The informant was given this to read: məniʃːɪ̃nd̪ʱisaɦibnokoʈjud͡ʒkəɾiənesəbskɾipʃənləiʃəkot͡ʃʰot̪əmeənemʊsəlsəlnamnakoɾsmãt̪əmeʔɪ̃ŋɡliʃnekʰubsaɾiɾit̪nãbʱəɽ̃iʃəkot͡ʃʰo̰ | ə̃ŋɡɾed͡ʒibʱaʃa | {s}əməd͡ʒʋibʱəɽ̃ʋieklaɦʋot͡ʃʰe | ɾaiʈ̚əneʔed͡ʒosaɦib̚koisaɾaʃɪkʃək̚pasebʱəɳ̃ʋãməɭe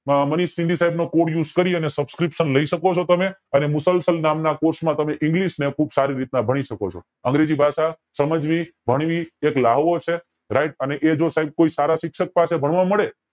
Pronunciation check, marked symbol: correct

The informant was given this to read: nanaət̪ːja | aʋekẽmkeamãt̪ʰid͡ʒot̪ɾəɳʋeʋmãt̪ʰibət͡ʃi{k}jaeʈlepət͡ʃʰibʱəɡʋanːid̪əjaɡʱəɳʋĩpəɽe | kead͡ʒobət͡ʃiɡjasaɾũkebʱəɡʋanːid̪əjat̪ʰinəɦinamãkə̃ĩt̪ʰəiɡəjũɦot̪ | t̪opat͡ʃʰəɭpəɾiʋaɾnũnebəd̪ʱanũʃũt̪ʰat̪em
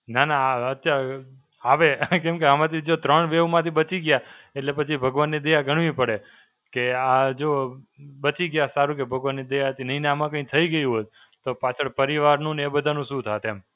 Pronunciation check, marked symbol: incorrect: ɡ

